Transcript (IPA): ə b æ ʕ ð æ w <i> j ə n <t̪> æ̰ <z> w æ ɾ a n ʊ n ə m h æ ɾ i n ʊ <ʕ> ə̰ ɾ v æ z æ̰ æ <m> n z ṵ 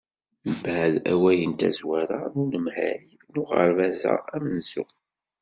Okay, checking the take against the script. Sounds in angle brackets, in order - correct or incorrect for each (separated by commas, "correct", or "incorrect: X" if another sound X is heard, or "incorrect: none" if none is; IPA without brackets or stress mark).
incorrect: æ, correct, correct, incorrect: ʁ, correct